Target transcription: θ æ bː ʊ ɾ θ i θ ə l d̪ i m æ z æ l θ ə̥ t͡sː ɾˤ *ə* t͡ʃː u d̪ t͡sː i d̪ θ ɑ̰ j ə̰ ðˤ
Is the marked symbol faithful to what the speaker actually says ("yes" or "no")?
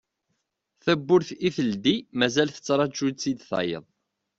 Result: no